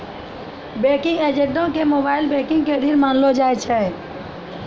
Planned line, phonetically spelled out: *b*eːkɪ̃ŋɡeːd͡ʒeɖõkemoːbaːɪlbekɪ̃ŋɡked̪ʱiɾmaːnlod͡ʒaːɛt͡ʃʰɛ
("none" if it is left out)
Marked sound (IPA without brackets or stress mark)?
b